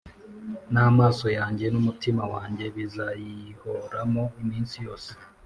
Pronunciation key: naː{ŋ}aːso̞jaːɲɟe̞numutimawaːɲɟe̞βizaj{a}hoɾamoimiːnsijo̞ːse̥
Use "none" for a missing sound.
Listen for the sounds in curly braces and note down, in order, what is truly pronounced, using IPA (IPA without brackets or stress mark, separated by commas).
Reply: m, i